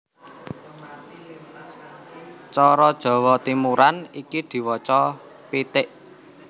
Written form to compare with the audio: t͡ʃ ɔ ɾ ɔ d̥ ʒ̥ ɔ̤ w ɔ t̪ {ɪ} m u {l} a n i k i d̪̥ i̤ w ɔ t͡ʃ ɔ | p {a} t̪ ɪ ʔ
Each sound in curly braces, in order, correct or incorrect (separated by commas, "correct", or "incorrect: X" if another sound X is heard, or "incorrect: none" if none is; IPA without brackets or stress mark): incorrect: i, incorrect: ɾ, incorrect: i